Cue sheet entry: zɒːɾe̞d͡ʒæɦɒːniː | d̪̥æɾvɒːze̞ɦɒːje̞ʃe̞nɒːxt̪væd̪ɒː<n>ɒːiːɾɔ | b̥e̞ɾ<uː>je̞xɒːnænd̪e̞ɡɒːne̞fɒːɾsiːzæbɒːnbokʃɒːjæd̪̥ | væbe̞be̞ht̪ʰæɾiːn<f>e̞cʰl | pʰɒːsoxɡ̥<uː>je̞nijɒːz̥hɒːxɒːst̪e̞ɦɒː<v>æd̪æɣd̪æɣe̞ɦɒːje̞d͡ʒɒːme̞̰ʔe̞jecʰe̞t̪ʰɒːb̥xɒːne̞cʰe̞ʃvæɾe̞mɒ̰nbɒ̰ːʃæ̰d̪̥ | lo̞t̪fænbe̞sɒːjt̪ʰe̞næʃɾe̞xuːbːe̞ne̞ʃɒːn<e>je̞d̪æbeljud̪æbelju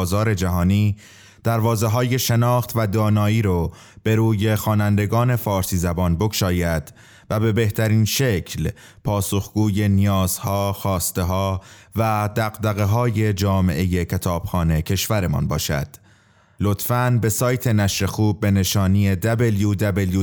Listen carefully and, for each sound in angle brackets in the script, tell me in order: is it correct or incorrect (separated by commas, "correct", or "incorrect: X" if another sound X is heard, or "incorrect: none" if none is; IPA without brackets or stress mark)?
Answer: correct, correct, incorrect: ʃ, correct, correct, incorrect: i